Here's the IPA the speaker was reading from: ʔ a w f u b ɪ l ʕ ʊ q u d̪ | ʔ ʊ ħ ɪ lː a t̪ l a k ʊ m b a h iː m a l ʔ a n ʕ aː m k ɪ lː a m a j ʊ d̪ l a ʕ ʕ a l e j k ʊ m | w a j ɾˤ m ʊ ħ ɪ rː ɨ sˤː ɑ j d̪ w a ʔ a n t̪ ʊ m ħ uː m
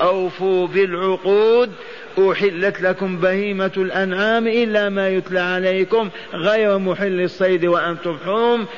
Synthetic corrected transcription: ʔ a w f u b ɪ l ʕ ʊ q uː d̪ | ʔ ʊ ħ ɪ lː a t̪ l a k ʊ m b a h iː m a l ʔ a n ʕ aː m ʔ ɪ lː a m a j ʊ t̪ l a ʕ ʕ a l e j k ʊ m | ɣ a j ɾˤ m ʊ ħ ɪ lː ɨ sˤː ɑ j d̪ w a ʔ a n t̪ ʊ m ħ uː m